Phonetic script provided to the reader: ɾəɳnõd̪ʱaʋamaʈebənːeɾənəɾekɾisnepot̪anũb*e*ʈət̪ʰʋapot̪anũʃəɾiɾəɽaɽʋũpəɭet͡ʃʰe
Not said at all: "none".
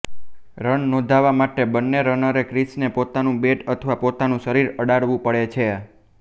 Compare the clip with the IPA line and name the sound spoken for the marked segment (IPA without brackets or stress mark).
e